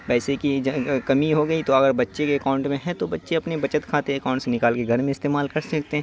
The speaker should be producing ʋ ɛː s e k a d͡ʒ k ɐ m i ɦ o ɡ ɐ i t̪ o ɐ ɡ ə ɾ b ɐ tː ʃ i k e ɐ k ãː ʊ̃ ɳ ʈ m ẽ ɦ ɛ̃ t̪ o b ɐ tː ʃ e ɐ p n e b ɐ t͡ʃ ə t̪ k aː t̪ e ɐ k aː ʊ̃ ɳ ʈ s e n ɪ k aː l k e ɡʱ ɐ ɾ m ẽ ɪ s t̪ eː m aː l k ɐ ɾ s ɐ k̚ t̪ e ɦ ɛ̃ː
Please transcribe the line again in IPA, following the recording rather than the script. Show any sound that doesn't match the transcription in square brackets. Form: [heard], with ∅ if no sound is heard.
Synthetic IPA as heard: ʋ ɛː s e k [i] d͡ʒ k ɐ m i ɦ o ɡ ɐ i t̪ o ɐ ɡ ə ɾ b ɐ tː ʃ [e] k e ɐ k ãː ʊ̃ ɳ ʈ m ẽ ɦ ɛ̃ t̪ o b ɐ tː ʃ e ɐ p n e b ɐ t͡ʃ ə t̪ [kʰ] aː t̪ e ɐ k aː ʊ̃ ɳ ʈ s e n ɪ k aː l k e ɡʱ ɐ ɾ m ẽ ɪ s t̪ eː m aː l k ɐ ɾ s ɐ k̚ t̪ e ɦ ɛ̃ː